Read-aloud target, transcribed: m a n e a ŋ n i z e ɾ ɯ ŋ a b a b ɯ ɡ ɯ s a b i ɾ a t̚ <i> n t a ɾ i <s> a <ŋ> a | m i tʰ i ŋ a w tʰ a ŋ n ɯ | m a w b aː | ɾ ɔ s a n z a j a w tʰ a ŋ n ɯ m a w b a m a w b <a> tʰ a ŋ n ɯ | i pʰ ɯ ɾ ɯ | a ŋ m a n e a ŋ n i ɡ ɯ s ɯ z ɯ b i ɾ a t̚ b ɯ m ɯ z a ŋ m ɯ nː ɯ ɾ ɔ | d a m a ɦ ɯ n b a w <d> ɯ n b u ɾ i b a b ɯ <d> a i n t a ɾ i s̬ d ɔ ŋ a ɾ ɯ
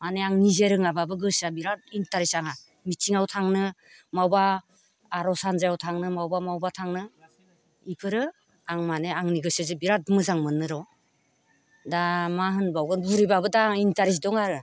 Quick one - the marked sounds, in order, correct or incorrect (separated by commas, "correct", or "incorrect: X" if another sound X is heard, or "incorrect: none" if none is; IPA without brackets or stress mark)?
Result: correct, correct, correct, correct, incorrect: ɡ, correct